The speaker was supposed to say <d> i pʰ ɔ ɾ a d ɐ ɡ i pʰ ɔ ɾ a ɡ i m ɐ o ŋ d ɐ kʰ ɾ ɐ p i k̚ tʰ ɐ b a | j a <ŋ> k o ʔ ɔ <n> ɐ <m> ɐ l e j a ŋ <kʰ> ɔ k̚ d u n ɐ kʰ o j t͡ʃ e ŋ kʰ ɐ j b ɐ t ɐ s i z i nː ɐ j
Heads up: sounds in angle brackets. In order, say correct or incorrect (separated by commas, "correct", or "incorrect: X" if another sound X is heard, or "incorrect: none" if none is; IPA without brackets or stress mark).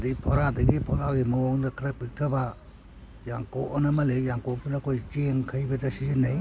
correct, correct, correct, correct, incorrect: k